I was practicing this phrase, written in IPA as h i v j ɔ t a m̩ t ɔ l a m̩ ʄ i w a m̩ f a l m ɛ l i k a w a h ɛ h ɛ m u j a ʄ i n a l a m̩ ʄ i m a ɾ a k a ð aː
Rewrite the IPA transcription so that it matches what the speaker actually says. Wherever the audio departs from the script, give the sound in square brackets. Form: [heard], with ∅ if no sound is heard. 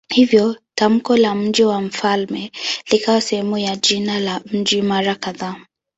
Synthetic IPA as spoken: h i v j ɔ t a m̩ [k] ɔ l a m̩ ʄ i w a m̩ f a l m ɛ l i k a w a [s] ɛ h ɛ m u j a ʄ i n a l a m̩ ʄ i m a ɾ a k a ð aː